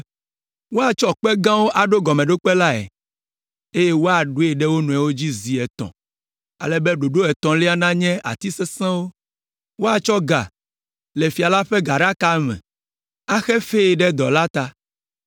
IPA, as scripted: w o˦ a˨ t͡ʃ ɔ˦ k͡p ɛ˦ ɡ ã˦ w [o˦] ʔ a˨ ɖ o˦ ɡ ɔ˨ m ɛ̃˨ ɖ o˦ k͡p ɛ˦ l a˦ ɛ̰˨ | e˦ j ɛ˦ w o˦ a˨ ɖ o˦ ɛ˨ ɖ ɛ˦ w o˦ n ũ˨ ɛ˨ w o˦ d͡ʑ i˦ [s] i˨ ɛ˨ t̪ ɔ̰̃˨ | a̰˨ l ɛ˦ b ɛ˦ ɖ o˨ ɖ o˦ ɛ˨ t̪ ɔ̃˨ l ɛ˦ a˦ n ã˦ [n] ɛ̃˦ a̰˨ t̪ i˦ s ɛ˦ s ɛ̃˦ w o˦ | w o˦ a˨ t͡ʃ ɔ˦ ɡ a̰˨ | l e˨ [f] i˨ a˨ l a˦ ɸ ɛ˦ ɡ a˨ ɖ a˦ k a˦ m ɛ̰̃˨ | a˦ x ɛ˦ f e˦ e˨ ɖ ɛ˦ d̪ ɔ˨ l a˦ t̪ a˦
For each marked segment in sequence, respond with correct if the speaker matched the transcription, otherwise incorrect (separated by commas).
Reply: correct, incorrect, incorrect, correct